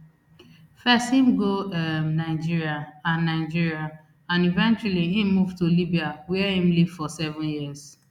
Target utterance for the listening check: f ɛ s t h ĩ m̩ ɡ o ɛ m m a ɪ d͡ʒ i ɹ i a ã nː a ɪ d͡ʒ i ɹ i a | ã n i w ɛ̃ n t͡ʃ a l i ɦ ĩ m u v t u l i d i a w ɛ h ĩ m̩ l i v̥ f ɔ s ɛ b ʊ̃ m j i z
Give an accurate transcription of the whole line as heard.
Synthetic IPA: f ɛ s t h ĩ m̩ ɡ o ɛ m n a ɪ d͡ʒ i ɹ i a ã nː a ɪ d͡ʒ i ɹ i a | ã n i v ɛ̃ n t͡ʃ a l i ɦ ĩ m u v t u l i b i a w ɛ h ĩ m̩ l i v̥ f ɔ s ɛ v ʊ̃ n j i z